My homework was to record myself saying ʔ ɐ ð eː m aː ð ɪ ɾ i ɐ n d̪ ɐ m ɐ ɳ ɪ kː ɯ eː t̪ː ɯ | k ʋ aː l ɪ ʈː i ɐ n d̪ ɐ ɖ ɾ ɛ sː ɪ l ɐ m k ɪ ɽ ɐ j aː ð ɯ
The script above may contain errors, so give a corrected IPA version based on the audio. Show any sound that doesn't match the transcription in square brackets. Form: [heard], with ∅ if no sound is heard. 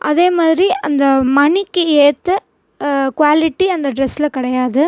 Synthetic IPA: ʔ ɐ ð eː m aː ð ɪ ɾ i ɐ n d̪ ɐ m ɐ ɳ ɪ kː ɯ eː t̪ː ɯ | k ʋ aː l ɪ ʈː i ɐ n d̪ ɐ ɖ ɾ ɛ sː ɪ l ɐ [∅] k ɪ ɽ ɐ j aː ð ɯ